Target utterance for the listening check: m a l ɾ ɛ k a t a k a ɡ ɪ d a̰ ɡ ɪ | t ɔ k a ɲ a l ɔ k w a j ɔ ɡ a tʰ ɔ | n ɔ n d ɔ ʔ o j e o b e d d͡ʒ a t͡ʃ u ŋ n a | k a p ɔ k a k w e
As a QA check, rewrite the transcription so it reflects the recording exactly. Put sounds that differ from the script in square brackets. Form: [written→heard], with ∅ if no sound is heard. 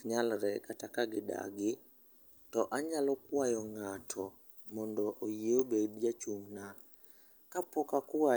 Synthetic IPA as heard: [m→ɲ] a l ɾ ɛ k a t a k a ɡ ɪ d a̰ ɡ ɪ | t ɔ [k→ʔ] a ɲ a l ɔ k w a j ɔ [ɡ→ŋ] a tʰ ɔ | [n→m] ɔ n d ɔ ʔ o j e o b e d d͡ʒ a t͡ʃ u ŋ n a | k a p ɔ k a k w [e→a]